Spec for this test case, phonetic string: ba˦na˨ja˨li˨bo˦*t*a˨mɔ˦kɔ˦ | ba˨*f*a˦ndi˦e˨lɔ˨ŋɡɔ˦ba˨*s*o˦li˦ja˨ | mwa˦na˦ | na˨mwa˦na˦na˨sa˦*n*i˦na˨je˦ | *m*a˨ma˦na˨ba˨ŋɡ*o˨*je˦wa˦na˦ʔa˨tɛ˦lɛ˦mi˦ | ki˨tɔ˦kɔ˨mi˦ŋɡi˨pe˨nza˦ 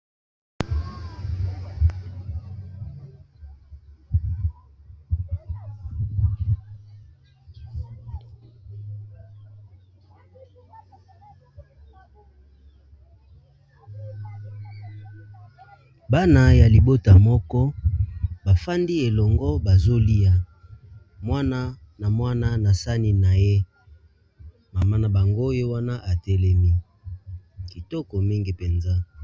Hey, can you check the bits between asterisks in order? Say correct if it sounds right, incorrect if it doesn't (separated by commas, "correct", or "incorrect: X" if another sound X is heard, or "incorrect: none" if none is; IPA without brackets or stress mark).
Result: correct, correct, incorrect: z, correct, correct, incorrect: o˦